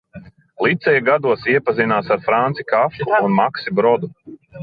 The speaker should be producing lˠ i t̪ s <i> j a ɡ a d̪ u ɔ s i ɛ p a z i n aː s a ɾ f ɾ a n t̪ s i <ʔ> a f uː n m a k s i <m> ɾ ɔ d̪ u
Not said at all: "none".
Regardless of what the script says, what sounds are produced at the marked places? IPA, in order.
ɛ, k, b

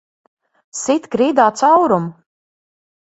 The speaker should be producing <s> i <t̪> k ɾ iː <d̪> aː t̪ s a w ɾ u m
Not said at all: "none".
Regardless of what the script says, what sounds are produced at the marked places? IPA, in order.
s, t̪, d̪

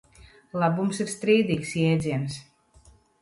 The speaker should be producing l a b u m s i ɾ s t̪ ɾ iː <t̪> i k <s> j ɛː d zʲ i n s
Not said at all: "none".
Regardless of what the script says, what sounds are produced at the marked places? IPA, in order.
d̪, s

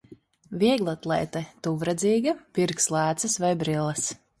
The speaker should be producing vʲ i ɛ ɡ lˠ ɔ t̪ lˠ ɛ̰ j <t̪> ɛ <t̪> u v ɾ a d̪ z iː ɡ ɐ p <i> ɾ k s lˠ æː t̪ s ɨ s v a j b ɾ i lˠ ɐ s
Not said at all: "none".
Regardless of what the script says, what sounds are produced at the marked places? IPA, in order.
t̪, t̪, i

